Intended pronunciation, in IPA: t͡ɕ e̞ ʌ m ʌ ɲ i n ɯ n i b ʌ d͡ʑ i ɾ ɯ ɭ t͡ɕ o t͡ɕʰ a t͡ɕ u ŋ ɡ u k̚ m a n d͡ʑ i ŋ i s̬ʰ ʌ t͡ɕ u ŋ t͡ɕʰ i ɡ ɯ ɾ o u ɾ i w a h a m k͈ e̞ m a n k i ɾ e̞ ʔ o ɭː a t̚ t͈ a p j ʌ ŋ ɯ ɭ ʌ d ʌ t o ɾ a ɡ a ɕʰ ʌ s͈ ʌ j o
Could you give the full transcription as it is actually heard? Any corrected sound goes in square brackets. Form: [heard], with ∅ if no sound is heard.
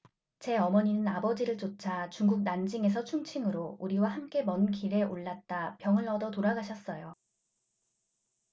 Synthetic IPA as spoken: t͡ɕ e̞ ʌ m ʌ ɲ i n ɯ n [a] b ʌ d͡ʑ i ɾ ɯ ɭ t͡ɕ o t͡ɕʰ a t͡ɕ u ŋ ɡ u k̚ [n] a n d͡ʑ i ŋ [e] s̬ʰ ʌ [t͡ɕʰ] u ŋ t͡ɕʰ i [ŋ] ɯ ɾ o u ɾ i w a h a m k͈ e̞ m [ʌ] n k i ɾ e̞ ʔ o ɭː a t̚ t͈ a p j ʌ ŋ ɯ ɭ ʌ d ʌ t o ɾ a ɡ a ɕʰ ʌ s͈ ʌ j o